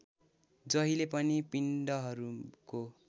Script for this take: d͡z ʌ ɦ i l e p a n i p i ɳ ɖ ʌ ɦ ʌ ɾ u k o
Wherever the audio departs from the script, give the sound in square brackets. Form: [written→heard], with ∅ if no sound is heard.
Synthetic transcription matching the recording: d͡z ʌ ɦ i l e p [a→ʌ] n i p i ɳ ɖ ʌ ɦ ʌ ɾ u k o